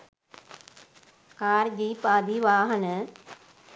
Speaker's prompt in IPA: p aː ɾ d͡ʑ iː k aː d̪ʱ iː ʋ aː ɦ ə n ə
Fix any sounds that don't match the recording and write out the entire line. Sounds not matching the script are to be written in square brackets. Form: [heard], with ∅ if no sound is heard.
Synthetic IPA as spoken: [k] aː ɾ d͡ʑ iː [p] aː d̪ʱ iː ʋ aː ɦ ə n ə